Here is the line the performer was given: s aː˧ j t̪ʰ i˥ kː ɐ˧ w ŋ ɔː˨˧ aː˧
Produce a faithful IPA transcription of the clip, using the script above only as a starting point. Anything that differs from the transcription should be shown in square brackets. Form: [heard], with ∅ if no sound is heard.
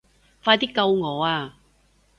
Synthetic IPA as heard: [f] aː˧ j [t̪] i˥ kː ɐ˧ w ŋ ɔː˨˧ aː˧